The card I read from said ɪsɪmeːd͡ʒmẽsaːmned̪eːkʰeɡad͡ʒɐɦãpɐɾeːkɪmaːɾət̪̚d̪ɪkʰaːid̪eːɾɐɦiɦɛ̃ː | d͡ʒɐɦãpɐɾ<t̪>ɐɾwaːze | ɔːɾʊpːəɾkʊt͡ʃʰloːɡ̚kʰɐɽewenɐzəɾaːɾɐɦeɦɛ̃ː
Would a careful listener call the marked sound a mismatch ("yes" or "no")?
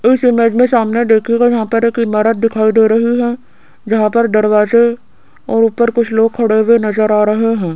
yes